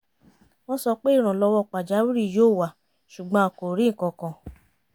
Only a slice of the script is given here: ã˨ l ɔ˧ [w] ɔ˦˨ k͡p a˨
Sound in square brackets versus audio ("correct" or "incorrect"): correct